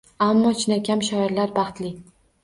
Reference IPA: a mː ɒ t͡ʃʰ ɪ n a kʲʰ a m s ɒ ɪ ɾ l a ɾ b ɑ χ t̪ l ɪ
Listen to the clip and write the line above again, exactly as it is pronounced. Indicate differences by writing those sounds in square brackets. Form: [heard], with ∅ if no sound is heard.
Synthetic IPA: a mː ɒ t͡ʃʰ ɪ n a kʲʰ a m [ʃ] ɒ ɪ ɾ l a ɾ b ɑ χ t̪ l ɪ